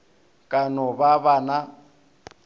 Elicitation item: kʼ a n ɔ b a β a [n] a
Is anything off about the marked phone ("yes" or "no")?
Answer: no